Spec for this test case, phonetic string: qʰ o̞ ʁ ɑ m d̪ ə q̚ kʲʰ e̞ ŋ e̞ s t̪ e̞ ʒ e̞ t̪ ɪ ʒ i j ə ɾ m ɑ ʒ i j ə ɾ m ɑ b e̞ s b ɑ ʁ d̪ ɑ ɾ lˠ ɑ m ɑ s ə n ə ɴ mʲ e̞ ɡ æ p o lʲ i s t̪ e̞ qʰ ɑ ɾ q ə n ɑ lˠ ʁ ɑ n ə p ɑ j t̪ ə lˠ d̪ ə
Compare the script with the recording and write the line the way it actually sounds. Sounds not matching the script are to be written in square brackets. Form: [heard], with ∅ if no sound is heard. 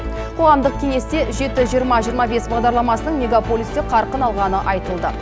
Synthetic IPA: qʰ o̞ ʁ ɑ m d̪ ə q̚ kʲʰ e̞ ŋ e̞ s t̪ e̞ ʒ e̞ t̪ ɪ ʒ i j ə ɾ m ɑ ʒ i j ə ɾ m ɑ b e̞ s b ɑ ʁ d̪ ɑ ɾ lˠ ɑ m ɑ s ə n ə ɴ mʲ e̞ ɡ [a] p o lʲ i s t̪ e̞ qʰ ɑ ɾ q ə n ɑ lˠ ʁ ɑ n ə [ʔ] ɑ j t̪ ə lˠ d̪ ə